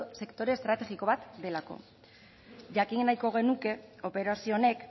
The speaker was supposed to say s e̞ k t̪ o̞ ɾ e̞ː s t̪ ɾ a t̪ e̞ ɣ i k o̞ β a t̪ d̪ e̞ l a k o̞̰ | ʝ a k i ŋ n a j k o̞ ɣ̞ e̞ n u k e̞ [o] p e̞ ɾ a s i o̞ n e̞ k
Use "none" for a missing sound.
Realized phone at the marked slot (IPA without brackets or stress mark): o